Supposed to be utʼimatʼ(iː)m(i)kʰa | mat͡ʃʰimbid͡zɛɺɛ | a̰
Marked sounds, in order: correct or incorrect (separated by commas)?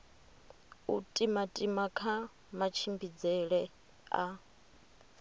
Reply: incorrect, incorrect